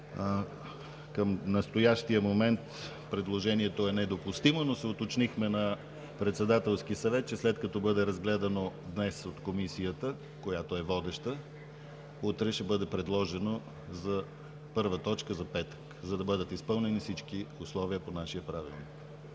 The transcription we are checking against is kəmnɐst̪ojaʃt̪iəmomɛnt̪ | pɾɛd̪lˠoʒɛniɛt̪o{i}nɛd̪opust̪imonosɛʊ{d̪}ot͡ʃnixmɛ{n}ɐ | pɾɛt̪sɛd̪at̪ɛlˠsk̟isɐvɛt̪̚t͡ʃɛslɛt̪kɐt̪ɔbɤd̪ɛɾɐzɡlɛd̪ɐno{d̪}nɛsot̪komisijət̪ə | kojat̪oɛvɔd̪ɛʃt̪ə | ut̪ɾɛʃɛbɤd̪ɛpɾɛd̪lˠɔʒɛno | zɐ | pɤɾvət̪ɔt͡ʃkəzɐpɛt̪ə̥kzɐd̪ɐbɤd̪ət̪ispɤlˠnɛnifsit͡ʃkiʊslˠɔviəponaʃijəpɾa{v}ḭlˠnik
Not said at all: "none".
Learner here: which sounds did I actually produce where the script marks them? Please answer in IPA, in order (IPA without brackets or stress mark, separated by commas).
ɛ, t̪, n, d̪, v